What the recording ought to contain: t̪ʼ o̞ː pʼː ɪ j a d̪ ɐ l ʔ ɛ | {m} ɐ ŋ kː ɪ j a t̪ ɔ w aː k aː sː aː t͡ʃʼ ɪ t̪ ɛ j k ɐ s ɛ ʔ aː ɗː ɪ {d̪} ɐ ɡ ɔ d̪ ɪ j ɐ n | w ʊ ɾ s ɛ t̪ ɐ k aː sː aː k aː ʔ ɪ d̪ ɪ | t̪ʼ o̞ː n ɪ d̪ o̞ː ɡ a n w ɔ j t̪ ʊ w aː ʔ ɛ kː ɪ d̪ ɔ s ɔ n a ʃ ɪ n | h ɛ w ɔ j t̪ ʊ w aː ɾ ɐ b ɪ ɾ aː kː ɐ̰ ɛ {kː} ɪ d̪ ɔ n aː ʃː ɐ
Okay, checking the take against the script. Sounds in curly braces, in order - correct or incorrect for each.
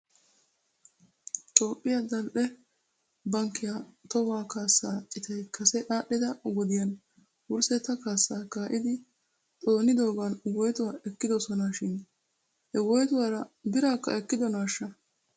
incorrect: b, correct, correct

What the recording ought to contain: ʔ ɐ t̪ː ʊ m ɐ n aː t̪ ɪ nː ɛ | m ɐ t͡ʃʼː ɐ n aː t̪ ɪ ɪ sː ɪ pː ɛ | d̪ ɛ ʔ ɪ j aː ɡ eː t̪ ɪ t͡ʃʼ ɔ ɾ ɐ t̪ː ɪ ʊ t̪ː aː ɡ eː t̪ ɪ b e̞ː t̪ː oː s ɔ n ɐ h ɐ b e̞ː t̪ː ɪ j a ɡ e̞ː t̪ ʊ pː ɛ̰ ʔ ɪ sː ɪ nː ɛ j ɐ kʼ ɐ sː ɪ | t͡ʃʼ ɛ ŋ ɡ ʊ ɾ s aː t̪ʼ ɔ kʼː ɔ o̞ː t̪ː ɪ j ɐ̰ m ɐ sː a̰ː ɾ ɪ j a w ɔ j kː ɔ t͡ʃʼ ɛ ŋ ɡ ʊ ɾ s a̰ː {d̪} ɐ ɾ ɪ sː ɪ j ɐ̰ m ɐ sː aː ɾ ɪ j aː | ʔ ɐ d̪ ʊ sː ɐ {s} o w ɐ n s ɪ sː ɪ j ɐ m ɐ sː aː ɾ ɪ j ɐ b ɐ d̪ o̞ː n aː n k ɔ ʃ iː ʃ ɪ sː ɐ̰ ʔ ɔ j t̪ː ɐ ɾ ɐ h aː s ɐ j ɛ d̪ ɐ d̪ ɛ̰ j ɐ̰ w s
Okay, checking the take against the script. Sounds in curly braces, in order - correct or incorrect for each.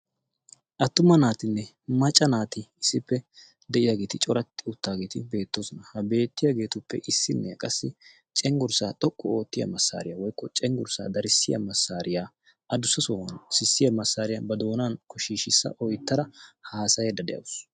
correct, correct

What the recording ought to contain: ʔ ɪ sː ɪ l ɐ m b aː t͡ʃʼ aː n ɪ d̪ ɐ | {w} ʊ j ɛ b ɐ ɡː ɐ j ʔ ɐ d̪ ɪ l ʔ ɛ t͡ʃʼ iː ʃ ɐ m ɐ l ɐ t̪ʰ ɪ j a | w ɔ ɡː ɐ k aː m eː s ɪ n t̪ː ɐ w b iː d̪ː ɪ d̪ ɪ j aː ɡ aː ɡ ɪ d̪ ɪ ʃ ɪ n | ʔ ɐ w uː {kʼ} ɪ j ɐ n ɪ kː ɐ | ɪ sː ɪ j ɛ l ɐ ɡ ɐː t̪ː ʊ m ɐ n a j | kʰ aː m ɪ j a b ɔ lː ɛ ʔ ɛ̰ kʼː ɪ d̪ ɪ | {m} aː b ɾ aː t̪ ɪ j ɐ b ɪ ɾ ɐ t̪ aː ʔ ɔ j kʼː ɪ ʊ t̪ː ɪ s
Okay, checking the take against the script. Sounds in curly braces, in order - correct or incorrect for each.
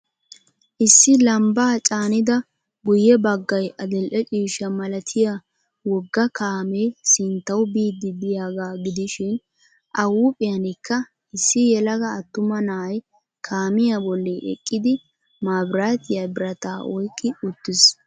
incorrect: b, incorrect: pʼ, correct

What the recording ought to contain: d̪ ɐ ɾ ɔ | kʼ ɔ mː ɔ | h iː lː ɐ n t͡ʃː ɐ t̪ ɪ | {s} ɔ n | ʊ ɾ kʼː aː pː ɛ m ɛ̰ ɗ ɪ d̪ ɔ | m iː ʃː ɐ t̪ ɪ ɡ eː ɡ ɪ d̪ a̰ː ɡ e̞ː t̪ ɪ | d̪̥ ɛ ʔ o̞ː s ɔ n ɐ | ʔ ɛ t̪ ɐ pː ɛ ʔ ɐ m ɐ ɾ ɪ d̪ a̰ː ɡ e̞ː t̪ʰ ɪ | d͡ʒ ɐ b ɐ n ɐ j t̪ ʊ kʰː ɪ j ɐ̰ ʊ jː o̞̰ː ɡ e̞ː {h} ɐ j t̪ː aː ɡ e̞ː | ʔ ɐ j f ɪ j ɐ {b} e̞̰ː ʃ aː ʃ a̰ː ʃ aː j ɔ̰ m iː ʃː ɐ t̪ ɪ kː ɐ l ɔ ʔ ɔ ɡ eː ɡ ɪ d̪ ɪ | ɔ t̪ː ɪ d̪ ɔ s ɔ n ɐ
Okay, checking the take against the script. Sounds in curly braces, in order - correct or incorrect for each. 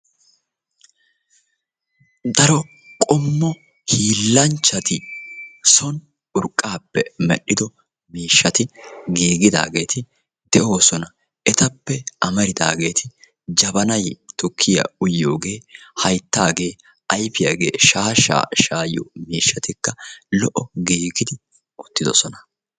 correct, correct, incorrect: ɡ

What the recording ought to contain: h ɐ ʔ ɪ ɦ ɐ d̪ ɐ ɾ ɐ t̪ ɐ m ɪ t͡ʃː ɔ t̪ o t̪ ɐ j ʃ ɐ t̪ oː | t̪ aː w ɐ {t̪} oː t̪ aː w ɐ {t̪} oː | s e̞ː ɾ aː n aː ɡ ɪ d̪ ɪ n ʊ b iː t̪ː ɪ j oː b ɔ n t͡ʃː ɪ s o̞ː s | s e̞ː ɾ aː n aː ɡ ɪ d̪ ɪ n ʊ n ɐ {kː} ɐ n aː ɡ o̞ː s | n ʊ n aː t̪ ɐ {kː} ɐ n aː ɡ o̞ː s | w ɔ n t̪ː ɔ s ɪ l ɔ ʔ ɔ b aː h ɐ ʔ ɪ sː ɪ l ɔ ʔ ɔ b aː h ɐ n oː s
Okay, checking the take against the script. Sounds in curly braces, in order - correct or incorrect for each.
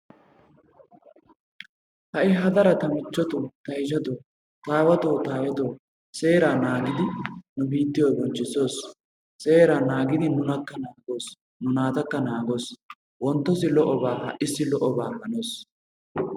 correct, correct, correct, correct

